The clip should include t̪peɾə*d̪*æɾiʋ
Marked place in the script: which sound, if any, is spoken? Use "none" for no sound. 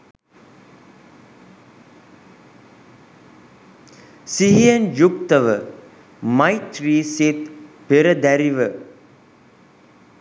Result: d̪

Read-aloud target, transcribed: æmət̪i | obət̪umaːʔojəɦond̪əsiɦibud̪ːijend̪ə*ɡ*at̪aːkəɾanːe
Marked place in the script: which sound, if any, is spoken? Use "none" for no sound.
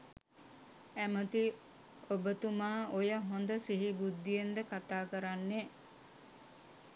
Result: k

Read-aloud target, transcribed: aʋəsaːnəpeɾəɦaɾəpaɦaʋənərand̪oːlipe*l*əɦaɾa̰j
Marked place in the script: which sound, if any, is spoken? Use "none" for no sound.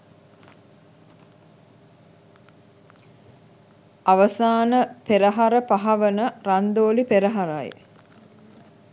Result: ɾ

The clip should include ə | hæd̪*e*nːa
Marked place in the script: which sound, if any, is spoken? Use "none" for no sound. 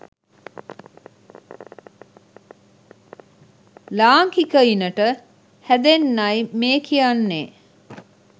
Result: e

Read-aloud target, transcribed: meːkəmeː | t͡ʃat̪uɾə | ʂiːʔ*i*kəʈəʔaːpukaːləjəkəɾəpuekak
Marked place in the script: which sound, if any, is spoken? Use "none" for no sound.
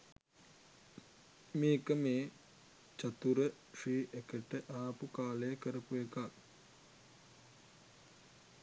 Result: e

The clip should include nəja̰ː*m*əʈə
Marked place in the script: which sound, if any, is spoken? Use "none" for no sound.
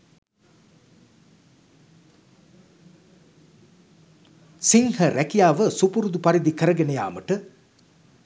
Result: m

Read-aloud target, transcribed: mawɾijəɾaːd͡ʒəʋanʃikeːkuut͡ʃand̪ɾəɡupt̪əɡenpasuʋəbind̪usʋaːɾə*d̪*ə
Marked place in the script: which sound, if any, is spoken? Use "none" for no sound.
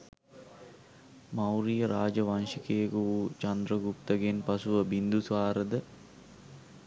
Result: d̪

